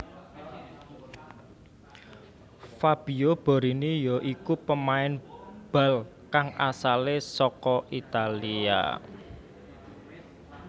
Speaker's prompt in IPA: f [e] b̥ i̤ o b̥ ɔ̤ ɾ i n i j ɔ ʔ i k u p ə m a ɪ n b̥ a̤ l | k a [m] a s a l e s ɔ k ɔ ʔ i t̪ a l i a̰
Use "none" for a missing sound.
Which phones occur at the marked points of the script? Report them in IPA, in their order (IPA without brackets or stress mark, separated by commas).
a, ŋ